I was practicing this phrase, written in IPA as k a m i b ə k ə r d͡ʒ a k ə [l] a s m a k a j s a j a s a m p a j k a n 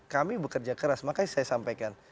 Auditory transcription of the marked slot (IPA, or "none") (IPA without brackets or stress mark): ɾ